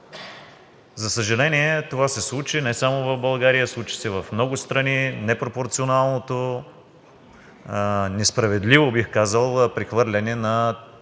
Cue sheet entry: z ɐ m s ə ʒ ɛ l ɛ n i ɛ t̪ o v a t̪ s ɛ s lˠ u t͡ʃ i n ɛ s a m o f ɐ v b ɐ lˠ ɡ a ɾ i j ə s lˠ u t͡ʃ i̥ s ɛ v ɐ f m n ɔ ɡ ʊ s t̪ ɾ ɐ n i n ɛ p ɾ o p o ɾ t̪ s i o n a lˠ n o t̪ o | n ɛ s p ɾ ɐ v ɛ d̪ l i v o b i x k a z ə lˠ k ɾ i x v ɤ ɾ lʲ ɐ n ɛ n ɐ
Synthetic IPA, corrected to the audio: z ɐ s ə ʒ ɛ l ɛ n i ɛ t̪ o v a s ɛ s lˠ u t͡ʃ i n ɛ s a m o v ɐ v b ɐ lˠ ɡ a ɾ i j ə s lˠ u t͡ʃ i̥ s ɛ v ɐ f m n ɔ ɡ ʊ s t̪ ɾ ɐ n i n ɛ p ɾ o p o ɾ t̪ s i o n a lˠ n o t̪ o | n ɛ s p ɾ ɐ v ɛ d̪ l i v o b i x k a z ə lˠ p ɾ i x v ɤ ɾ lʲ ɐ n ɛ n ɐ